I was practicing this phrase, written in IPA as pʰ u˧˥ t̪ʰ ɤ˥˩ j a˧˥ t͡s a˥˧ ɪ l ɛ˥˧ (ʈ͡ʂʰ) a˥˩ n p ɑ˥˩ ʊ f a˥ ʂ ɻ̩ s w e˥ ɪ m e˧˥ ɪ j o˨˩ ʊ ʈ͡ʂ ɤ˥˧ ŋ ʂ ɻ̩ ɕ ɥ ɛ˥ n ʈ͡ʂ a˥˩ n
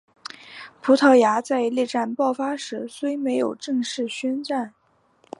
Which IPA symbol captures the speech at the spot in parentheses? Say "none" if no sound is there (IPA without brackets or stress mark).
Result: ʈ͡ʂ